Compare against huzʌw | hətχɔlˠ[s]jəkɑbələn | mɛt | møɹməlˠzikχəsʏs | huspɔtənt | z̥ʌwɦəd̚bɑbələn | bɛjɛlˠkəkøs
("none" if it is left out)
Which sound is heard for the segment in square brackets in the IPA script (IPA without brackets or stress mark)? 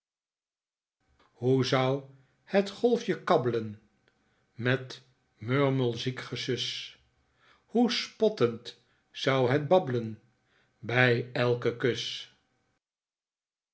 f